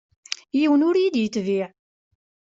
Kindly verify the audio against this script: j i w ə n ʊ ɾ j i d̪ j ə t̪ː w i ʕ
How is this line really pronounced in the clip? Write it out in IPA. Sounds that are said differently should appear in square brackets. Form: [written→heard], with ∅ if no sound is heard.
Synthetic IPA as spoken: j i w ə n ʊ ɾ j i d̪ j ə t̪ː [w→v] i ʕ